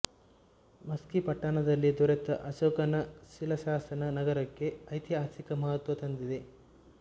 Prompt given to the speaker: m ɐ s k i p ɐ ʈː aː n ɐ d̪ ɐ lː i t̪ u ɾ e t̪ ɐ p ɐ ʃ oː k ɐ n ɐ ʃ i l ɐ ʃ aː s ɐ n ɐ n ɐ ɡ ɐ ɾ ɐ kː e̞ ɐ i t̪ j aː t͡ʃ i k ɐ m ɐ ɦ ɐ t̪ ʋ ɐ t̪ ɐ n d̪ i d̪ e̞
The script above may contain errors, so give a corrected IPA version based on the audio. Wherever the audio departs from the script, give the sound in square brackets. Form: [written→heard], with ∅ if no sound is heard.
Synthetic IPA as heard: m ɐ s k i p ɐ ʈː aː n ɐ d̪ ɐ lː i [t̪→d̪] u ɾ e t̪ ɐ [p→ʔ] ɐ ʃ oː k ɐ n ɐ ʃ i l ɐ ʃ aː s ɐ n ɐ n ɐ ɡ ɐ ɾ ɐ kː e̞ ɐ [i→j] t̪ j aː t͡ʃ i k ɐ m ɐ ɦ ɐ t̪ ʋ ɐ t̪ ɐ n d̪ i d̪ e̞